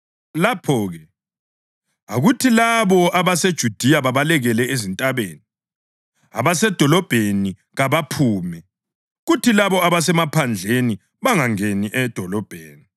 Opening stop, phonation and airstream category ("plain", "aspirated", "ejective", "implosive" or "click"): aspirated